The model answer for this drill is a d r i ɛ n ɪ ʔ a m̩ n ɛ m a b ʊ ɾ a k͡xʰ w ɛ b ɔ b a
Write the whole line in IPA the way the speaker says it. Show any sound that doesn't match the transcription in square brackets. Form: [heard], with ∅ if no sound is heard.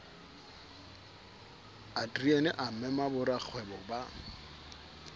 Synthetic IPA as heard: a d r i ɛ n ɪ ʔ a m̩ [m] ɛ m a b ʊ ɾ a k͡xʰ w ɛ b ɔ b a

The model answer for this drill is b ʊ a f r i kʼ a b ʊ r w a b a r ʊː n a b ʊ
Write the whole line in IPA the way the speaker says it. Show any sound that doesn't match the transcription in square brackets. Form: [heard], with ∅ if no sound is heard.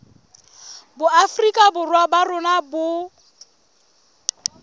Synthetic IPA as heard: b ʊ a f r i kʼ a b ʊ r w a b a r [ʊ] n a b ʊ

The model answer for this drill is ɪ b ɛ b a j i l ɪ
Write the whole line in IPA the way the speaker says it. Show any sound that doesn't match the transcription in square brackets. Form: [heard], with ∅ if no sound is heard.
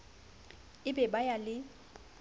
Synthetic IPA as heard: ɪ b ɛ b a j [a] l ɪ

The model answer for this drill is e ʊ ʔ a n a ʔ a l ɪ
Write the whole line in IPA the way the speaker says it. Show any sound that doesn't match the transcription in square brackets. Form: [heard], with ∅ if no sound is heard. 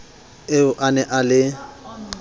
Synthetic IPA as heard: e ʊ ʔ a n [ɛ] ʔ a l ɪ

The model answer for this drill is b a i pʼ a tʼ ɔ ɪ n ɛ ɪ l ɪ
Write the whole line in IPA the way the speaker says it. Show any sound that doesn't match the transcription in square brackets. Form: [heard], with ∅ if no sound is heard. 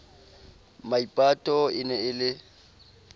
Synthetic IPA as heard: [m] a i pʼ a tʼ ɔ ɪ n ɛ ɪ l ɪ

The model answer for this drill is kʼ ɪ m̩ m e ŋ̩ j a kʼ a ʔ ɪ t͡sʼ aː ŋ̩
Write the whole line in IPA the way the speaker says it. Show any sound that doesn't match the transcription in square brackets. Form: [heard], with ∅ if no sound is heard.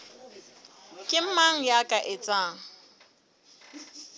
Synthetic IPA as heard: kʼ ɪ m̩ m [a] ŋ̩ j a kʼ a ʔ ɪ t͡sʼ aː ŋ̩

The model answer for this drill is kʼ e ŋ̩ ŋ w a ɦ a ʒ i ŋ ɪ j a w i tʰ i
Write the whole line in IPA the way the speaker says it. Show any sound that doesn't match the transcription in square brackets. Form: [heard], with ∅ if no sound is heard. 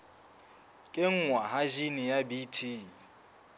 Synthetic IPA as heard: kʼ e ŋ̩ ŋ w a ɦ a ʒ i [n] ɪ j a [b] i tʰ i

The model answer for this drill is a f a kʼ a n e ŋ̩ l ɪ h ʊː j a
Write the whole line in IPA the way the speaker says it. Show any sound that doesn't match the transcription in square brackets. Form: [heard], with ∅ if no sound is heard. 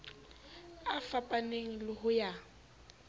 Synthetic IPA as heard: a f a [pʼ] a n e ŋ̩ l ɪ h [ʊ] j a

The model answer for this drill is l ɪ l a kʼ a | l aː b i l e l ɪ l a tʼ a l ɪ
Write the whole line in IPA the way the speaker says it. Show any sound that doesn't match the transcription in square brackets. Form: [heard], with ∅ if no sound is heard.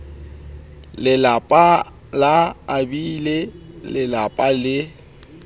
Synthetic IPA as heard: l ɪ l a [pʼ] a | l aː b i l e l ɪ l a [pʼ] a l ɪ

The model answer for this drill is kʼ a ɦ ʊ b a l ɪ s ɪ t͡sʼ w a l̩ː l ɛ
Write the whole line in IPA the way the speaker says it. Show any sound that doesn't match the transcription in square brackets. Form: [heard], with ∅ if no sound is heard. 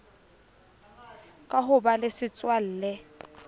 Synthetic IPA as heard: kʼ a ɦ ʊ b a l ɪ s ɪ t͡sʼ w a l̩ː l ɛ

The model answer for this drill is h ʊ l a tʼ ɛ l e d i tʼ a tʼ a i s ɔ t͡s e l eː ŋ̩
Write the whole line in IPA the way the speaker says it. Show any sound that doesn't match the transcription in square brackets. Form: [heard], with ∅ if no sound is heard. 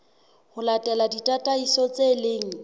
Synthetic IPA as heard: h ʊ l a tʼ ɛ l [a] d i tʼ a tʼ a i s ɔ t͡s e l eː ŋ̩

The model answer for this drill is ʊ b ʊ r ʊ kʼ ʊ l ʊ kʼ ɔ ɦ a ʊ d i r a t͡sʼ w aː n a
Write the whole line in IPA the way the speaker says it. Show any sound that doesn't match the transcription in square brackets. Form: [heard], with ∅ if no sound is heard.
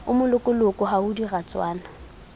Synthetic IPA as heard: ʊ [m] ʊ [l] ʊ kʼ ʊ l ʊ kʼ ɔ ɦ a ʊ d i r a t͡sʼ w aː n a

